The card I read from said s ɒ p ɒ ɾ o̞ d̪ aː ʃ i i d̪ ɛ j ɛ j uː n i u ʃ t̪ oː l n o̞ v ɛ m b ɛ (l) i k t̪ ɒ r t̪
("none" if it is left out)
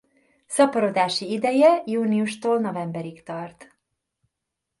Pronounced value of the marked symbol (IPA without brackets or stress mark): ɾ